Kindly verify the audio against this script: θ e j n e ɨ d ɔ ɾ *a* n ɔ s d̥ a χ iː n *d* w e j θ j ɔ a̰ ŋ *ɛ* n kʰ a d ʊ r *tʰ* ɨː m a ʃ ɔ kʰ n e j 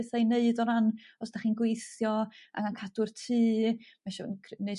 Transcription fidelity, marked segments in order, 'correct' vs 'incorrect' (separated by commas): correct, incorrect, incorrect, correct